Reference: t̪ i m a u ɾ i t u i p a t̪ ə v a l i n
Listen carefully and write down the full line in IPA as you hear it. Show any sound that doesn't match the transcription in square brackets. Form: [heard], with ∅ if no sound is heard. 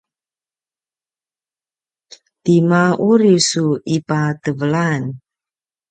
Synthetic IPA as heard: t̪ i m a u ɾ i [s] u i p a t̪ ə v [ə] l [a] n